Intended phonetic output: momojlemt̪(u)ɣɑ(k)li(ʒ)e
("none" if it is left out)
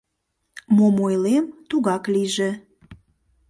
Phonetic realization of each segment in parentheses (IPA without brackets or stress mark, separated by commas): u, k, ʒ